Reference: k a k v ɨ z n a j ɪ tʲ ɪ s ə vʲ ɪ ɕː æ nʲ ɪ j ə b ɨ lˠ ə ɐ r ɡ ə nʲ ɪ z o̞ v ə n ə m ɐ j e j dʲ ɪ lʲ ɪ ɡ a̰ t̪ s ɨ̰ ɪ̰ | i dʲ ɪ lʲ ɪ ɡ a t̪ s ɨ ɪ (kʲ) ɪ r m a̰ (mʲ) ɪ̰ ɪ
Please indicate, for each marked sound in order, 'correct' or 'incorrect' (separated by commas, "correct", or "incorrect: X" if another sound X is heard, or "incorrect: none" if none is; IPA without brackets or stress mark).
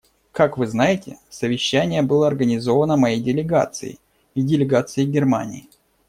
incorrect: ɡʲ, incorrect: nʲ